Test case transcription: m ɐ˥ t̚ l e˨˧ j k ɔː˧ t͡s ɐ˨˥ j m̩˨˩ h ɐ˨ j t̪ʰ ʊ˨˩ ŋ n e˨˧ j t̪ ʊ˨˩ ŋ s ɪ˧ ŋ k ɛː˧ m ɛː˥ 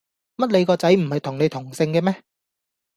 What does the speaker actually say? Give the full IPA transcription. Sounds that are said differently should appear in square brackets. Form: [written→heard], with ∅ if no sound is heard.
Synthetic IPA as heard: m ɐ˥ t̚ l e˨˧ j k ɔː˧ t͡s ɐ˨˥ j m̩˨˩ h ɐ˨ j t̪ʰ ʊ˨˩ ŋ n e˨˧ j [t̪→t̪ʰ] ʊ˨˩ ŋ s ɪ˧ ŋ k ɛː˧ m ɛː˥